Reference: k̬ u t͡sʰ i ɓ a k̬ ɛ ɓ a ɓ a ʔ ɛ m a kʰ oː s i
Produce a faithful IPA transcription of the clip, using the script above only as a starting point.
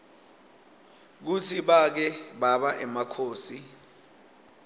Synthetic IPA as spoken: k̬ u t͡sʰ i ɓ a k̬ ɛ ɓ a ɓ a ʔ ɛ m a kʰ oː s i